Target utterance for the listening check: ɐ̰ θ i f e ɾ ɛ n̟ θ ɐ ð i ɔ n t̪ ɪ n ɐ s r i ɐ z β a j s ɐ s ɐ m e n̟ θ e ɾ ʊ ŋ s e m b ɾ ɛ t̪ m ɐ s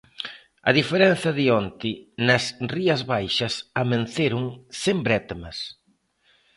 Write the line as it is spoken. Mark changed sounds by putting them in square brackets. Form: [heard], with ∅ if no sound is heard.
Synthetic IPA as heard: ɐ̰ [ð] i f e ɾ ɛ n̟ θ ɐ ð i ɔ n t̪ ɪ n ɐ s r i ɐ z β a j [ʃ] ɐ s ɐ m e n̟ θ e ɾ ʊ ŋ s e m b ɾ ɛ t̪ m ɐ s